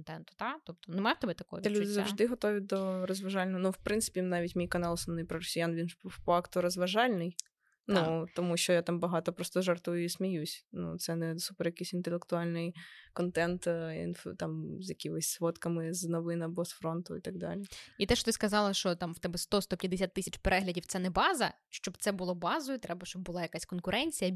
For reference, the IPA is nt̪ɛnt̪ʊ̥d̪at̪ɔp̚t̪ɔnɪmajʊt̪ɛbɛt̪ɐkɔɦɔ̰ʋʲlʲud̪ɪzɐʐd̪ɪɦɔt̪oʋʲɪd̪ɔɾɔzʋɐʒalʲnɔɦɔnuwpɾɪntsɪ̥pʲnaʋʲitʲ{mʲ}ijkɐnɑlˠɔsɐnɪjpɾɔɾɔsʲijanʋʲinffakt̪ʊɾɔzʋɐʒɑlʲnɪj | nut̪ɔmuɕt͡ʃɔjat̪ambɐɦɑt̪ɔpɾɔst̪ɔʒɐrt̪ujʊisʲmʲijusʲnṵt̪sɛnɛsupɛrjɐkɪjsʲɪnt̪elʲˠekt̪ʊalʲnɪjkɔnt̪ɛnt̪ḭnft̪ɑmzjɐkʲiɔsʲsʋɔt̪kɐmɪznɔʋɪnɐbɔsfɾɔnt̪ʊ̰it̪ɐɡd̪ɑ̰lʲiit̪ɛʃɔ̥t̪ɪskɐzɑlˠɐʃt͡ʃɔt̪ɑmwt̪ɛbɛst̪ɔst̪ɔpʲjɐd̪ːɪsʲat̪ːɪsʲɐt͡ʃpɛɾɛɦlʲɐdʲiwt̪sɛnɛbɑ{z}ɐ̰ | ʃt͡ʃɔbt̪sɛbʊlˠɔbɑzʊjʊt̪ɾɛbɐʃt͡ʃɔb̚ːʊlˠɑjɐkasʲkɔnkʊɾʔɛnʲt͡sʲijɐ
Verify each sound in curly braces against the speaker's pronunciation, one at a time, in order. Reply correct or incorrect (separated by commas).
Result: correct, correct